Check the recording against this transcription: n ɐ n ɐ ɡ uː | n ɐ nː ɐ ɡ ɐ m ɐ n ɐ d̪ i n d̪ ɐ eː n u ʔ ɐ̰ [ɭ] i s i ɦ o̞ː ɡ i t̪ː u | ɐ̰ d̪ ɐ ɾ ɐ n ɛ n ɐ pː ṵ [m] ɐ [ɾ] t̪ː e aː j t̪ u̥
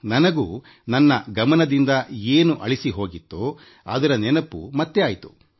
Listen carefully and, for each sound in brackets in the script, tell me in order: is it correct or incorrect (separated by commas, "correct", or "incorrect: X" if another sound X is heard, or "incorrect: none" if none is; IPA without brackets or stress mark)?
correct, correct, incorrect: none